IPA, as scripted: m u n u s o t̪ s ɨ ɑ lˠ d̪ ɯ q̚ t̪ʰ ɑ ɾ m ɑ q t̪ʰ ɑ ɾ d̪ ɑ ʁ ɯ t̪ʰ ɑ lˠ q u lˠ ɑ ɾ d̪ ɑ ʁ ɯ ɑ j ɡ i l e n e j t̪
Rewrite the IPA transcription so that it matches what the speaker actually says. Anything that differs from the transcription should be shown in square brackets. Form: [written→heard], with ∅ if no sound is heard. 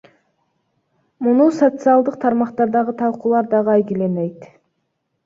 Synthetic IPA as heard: m u n u s o t̪ s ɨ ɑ lˠ d̪ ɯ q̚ t̪ʰ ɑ ɾ m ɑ q [t̪ʰ→t̪] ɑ ɾ d̪ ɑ ʁ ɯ t̪ʰ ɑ lˠ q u lˠ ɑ ɾ d̪ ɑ ʁ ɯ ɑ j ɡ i l e n e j t̪